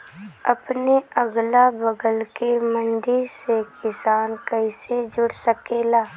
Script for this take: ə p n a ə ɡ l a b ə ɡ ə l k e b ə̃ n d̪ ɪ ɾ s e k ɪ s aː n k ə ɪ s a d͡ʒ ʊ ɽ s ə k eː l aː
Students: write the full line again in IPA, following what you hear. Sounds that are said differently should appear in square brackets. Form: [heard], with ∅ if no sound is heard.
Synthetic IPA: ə p n [e] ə ɡ l a b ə ɡ ə l k e [m] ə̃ n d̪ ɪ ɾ s e k ɪ s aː n k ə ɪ s [e] d͡ʒ ʊ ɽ s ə k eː l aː